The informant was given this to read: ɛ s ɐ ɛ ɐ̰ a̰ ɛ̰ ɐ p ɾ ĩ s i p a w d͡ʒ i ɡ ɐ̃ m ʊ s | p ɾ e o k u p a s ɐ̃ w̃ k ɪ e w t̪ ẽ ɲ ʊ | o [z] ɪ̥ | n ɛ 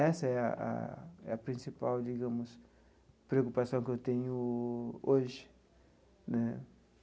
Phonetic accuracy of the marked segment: incorrect: ʒ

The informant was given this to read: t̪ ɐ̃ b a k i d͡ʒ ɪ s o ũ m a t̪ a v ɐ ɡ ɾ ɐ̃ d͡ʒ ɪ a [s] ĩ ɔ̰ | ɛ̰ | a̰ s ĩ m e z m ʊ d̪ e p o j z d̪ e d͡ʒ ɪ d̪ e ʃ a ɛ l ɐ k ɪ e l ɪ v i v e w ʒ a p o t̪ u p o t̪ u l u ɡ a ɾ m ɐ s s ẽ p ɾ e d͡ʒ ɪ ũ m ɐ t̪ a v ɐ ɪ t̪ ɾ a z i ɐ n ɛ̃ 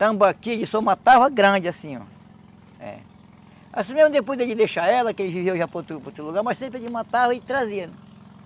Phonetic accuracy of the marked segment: correct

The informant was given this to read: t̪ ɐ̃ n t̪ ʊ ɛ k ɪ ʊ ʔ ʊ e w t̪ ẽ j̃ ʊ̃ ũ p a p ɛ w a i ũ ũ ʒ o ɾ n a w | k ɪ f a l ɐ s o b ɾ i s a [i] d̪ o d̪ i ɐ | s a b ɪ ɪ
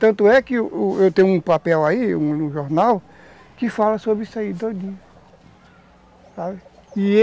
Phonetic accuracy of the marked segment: correct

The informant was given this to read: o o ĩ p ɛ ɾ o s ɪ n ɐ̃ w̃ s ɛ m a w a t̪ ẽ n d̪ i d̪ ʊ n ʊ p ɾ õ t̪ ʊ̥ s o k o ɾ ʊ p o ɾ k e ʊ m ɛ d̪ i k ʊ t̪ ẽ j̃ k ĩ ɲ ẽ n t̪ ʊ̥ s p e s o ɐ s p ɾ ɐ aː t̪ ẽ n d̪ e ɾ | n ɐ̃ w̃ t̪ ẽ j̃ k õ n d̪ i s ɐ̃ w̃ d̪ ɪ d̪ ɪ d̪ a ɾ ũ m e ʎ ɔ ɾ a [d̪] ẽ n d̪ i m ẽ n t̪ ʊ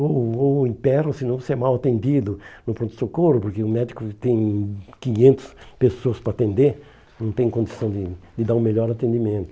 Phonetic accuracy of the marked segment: incorrect: t̪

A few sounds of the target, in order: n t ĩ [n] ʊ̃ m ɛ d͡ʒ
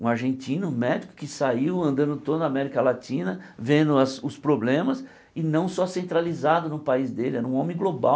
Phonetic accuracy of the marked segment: correct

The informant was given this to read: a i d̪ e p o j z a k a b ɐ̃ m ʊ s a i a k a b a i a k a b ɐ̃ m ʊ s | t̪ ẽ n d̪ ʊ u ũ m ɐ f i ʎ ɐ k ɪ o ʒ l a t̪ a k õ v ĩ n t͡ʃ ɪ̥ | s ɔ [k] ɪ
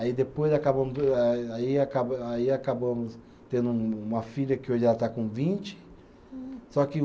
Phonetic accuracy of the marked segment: correct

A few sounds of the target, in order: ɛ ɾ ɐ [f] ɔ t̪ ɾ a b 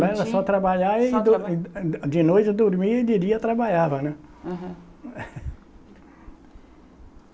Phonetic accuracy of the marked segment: incorrect: s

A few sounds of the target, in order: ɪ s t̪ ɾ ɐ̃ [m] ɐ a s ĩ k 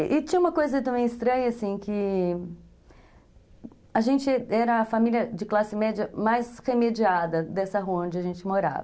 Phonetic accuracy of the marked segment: incorrect: ɲ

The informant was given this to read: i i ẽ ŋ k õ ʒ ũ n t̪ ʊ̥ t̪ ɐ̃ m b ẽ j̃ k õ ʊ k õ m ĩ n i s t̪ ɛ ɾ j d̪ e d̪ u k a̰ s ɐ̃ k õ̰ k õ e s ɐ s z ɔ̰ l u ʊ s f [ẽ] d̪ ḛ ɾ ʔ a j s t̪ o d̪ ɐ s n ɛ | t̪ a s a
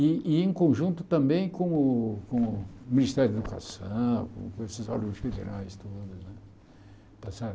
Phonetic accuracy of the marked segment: incorrect: e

